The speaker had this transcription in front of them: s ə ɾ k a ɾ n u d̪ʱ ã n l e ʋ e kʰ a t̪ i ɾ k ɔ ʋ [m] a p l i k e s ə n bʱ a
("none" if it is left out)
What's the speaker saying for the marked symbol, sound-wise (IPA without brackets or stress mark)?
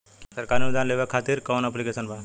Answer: n